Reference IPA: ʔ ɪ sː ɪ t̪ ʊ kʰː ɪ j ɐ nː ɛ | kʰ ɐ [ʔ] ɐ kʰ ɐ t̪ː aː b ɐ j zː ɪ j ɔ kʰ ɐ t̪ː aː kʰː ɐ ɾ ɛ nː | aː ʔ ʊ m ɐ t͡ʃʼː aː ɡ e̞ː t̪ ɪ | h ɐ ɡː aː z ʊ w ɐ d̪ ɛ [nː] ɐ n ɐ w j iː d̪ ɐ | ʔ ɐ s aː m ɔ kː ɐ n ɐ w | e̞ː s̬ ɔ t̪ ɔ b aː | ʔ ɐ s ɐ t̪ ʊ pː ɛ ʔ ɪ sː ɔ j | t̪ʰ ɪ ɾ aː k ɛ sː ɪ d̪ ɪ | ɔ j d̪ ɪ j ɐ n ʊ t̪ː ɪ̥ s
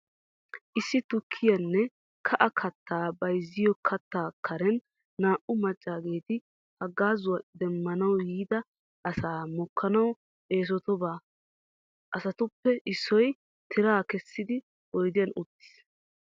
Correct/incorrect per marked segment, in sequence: correct, incorrect: mː

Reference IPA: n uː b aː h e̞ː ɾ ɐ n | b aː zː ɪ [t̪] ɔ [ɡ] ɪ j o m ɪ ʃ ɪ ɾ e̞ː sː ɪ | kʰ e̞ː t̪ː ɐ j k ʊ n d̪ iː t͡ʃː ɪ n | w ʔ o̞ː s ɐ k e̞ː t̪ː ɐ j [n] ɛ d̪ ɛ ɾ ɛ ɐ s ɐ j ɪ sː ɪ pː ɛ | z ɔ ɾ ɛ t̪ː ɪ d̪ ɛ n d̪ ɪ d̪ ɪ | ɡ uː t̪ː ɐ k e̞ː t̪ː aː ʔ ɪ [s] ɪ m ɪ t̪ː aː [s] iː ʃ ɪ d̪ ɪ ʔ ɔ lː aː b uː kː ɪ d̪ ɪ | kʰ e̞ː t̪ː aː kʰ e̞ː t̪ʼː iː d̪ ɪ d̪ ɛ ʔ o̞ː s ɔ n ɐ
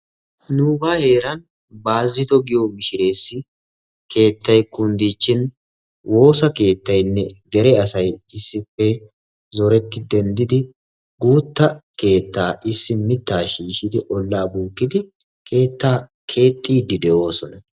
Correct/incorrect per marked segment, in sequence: correct, correct, incorrect: nː, incorrect: sː, incorrect: ʃ

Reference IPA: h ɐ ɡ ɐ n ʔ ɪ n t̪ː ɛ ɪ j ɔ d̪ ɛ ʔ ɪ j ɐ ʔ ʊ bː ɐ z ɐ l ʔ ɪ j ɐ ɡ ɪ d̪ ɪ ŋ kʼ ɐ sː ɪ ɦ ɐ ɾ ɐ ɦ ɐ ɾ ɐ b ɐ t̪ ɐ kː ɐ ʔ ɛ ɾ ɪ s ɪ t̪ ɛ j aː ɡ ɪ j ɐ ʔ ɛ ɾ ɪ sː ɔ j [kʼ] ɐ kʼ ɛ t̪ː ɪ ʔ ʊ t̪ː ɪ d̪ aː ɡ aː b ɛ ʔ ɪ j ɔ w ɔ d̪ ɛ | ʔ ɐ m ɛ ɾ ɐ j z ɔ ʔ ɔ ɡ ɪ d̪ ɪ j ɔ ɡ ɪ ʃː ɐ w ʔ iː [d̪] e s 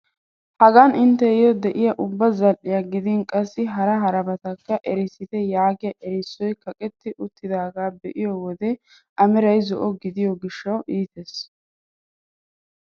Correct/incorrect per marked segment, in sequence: incorrect: k, incorrect: t̪

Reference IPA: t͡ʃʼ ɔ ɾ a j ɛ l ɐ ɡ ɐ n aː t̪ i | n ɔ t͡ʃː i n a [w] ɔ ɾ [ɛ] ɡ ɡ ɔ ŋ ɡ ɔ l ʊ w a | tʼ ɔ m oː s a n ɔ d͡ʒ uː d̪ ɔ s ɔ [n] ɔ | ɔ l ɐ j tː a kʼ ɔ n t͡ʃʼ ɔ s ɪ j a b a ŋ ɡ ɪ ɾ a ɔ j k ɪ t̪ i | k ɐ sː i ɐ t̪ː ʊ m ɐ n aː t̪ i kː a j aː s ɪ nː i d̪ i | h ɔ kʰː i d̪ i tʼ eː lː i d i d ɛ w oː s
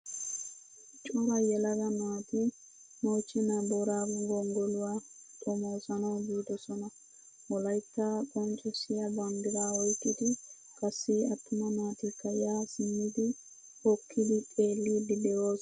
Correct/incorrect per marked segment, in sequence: incorrect: b, incorrect: a, correct

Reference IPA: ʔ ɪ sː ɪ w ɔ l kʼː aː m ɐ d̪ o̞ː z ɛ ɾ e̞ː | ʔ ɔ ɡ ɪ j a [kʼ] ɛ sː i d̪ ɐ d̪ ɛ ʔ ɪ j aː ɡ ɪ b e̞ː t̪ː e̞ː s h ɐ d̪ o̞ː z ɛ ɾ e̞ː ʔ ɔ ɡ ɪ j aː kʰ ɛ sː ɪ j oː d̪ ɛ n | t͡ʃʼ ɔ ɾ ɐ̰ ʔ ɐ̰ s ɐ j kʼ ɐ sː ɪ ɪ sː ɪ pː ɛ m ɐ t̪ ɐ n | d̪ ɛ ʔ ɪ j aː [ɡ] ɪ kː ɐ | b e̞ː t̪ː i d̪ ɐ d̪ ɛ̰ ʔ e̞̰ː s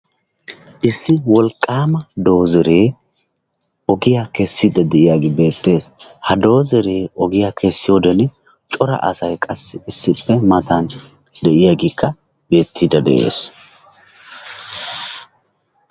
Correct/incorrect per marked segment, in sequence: incorrect: k, correct

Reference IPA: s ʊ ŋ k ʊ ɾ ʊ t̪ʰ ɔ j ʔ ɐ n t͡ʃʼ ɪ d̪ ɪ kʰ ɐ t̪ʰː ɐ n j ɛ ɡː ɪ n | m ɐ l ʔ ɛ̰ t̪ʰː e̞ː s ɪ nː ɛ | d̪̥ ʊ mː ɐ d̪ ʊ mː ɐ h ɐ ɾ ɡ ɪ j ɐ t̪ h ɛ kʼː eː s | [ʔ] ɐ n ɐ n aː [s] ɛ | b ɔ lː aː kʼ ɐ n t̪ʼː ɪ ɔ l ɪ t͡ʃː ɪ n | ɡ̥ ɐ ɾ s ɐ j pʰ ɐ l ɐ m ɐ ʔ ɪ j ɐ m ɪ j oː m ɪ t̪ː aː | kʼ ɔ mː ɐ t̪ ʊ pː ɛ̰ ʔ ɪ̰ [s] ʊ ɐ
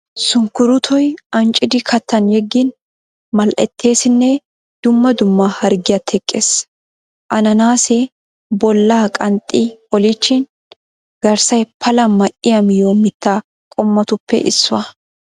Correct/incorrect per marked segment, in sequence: correct, correct, incorrect: sː

